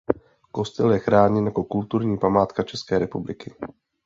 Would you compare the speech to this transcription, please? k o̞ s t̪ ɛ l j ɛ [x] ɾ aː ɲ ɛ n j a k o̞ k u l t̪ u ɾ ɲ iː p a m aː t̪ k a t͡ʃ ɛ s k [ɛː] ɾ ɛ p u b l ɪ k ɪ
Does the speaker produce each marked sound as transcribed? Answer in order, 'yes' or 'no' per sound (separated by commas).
yes, yes